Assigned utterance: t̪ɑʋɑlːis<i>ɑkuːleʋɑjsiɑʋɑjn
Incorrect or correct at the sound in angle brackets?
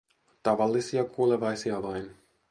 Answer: correct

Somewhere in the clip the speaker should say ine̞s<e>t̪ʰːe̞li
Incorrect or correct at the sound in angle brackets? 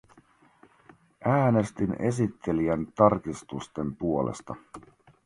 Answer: incorrect: i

